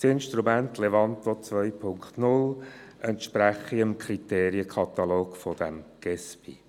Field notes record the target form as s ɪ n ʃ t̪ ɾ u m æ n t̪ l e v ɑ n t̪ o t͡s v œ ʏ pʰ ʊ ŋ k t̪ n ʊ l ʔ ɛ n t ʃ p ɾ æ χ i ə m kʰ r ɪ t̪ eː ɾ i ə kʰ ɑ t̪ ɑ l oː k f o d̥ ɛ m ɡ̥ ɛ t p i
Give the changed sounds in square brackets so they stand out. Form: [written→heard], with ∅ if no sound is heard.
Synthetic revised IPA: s ɪ n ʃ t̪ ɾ u m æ n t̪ l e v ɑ n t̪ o t͡s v œ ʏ pʰ ʊ ŋ k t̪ n ʊ l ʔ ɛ n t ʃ p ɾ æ χ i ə m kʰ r [ɪ→i] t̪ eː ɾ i ə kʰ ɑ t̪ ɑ l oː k f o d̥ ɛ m ɡ̥ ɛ [t→s] p i

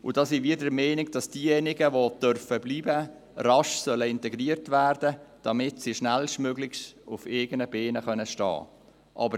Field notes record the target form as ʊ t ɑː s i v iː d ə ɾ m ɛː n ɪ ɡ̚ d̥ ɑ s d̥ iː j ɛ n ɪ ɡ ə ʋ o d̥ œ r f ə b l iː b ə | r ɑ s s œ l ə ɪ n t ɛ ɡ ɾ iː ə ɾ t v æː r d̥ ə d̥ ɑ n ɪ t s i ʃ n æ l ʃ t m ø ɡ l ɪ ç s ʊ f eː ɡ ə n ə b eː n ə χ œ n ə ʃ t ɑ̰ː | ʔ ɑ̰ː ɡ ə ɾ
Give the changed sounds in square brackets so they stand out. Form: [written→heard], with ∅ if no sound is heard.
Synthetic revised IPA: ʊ [t→d] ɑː s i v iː d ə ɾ m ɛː n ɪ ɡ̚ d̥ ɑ s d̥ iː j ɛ n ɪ ɡ ə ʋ o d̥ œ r f ə b l iː b ə | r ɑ [s→ʃ] s œ l ə ɪ n t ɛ ɡ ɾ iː ə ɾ t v æː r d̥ ə d̥ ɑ [n→m] ɪ t s i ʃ n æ l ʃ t m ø ɡ l ɪ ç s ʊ f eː ɡ ə n ə b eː n ə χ œ n ə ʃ t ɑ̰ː | ʔ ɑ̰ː [ɡ→b] ə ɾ

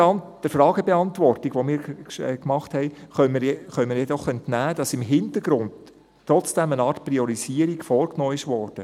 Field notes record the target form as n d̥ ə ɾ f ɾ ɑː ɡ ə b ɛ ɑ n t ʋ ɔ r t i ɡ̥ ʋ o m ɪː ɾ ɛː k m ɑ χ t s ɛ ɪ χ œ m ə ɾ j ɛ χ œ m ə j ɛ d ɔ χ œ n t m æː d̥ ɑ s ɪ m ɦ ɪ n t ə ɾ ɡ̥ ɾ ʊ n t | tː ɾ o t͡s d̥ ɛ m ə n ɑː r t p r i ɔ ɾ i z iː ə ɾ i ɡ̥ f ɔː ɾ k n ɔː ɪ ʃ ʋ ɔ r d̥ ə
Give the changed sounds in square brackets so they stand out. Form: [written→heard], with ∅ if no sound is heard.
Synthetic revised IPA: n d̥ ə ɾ f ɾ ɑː ɡ ə b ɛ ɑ n t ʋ ɔ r t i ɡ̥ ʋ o m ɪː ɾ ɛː k m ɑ χ t [s→h] ɛ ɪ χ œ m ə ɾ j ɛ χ œ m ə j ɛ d ɔ χ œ n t [m→n] æː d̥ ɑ s ɪ m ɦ ɪ n t ə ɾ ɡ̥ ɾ ʊ n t | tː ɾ [o→ɔ] t͡s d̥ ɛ m ə n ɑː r t p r i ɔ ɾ i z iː ə ɾ i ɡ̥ f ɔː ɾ k n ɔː ɪ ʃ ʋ ɔ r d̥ ə

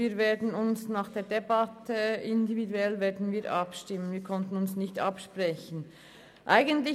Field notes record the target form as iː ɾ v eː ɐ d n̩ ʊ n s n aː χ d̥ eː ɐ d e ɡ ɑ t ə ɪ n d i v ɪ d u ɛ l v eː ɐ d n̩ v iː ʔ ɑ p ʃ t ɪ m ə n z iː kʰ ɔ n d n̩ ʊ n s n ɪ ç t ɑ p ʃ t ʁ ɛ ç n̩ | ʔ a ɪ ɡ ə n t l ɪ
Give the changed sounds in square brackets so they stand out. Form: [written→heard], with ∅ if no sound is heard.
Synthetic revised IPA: iː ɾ v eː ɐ d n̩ ʊ n s n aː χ d̥ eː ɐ d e [ɡ→b] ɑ t ə ɪ n d i v [ɪ→i] d u ɛ l v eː ɐ d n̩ v iː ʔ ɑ p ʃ t ɪ m ə n [z→v] iː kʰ ɔ n [d→t] n̩ ʊ n s n ɪ ç t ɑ p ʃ [t→p] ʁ ɛ ç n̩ | ʔ a ɪ ɡ ə n t l ɪ

